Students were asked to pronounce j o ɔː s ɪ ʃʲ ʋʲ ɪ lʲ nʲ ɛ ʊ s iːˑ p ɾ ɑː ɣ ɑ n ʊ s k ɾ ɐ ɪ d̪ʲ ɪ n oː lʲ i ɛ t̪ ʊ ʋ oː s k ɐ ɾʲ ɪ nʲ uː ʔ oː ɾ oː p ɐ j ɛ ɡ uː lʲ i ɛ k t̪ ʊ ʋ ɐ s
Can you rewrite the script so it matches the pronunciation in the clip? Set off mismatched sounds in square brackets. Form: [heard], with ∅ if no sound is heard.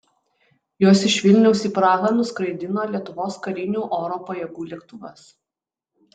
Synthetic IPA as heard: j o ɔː s ɪ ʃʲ ʋʲ ɪ lʲ nʲ ɛ ʊ s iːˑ p ɾ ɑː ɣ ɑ n ʊ s k ɾ ɐ ɪ d̪ʲ ɪ n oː lʲ i ɛ t̪ ʊ ʋ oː s k ɐ ɾʲ ɪ nʲ uː ʔ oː ɾ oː p ɐ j ɛ ɡ uː lʲ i ɛ k t̪ ʊ ʋ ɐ s